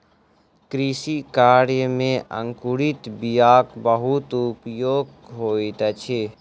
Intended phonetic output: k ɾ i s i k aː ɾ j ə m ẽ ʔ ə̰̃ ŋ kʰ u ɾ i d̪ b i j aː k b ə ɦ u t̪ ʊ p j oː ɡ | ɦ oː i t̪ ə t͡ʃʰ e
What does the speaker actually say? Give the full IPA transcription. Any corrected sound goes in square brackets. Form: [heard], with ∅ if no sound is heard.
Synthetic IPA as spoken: k ɾ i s i k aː ɾ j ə m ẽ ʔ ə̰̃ ŋ [k] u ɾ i [t̪] b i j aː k b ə ɦ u t̪ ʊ p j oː ɡ | ɦ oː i t̪ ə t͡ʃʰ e